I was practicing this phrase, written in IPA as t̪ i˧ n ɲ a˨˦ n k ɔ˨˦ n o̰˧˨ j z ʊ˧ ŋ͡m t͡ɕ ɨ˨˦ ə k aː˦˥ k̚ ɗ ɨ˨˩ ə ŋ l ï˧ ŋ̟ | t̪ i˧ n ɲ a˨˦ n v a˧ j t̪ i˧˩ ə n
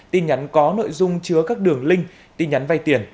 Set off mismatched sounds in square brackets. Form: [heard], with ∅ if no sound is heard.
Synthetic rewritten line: t̪ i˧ n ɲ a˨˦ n k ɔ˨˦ n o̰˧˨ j z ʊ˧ ŋ͡m t͡ɕ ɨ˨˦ ə k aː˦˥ k̚ ɗ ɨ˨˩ ə ŋ l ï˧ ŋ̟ | t̪ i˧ n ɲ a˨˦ n v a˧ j t̪ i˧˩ ə n